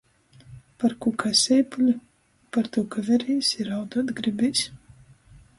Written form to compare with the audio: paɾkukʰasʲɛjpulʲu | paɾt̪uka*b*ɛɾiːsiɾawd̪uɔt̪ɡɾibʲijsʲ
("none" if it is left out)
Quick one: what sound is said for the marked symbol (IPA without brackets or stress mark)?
v